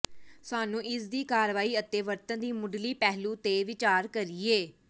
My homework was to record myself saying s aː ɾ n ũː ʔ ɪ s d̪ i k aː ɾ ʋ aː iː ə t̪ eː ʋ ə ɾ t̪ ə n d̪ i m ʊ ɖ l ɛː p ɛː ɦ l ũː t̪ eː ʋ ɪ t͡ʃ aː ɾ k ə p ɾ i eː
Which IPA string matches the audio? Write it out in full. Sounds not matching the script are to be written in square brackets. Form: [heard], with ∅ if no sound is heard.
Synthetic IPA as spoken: s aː [∅] n ũː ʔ ɪ s d̪ [iː] k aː ɾ ʋ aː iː ə t̪ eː ʋ ə ɾ t̪ ə n d̪ [iː] m ʊ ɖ l [iː] p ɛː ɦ l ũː t̪ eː ʋ ɪ t͡ʃ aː ɾ k ə [∅] ɾ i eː